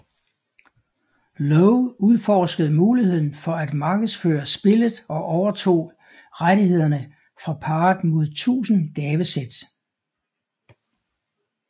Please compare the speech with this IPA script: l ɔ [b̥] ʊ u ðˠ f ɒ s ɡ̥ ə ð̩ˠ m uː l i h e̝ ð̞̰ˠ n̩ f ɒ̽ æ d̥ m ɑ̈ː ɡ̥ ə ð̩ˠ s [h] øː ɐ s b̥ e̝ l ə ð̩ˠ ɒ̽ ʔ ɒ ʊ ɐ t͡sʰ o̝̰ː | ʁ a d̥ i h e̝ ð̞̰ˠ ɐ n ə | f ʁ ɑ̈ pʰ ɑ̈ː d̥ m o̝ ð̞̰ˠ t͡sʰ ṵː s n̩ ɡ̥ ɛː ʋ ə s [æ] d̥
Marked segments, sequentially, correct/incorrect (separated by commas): incorrect, incorrect, incorrect